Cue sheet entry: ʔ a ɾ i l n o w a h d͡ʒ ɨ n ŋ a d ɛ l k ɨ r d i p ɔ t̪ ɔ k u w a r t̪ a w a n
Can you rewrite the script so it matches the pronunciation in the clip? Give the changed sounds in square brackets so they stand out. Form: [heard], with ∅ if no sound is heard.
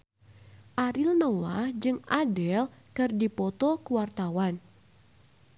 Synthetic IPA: ʔ a ɾ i l n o w a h d͡ʒ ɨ [∅] ŋ a d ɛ l k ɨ r d i p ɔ t̪ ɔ k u w a r t̪ a w a n